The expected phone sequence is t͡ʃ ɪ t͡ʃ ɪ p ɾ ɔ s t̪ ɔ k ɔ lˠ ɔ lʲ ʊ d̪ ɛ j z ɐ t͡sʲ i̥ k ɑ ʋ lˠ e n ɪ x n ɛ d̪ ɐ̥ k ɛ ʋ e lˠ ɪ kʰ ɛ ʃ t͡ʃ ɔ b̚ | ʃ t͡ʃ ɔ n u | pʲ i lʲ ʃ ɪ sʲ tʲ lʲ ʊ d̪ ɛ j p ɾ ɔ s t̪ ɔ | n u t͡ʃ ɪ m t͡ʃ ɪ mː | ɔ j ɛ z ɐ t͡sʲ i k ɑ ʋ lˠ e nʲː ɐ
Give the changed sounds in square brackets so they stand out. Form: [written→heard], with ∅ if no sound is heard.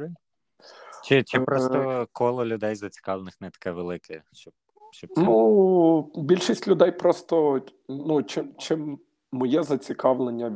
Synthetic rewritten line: t͡ʃ ɪ t͡ʃ ɪ p ɾ ɔ s t̪ ɔ k ɔ lˠ ɔ lʲ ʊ d̪ ɛ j z ɐ t͡sʲ i̥ k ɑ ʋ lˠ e n ɪ x n ɛ [d̪→t̪] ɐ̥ k ɛ ʋ e lˠ ɪ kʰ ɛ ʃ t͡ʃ ɔ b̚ | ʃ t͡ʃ ɔ n u | [pʲ→bʲ] i lʲ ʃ [ɪ→i] sʲ tʲ lʲ ʊ d̪ ɛ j p ɾ ɔ s t̪ ɔ | n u t͡ʃ ɪ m t͡ʃ ɪ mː | ɔ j ɛ z ɐ t͡sʲ i k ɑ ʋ lˠ e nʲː ɐ